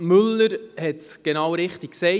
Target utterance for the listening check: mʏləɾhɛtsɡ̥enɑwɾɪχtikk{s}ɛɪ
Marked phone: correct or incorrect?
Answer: correct